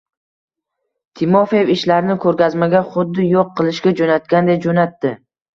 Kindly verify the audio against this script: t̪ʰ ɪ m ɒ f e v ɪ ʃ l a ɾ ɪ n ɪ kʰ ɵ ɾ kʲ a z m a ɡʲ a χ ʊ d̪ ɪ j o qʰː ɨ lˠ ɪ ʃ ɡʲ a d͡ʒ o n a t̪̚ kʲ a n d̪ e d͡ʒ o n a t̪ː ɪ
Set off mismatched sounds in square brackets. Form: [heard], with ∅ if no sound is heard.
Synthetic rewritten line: t̪ʰ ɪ m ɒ f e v ɪ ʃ l a ɾ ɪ n ɪ kʰ ɵ ɾ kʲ a z m a ɡʲ a χ ʊ [d̪ː] ɪ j o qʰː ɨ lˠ ɪ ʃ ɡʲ a d͡ʒ o n a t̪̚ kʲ a n d̪ e d͡ʒ o n a t̪ː ɪ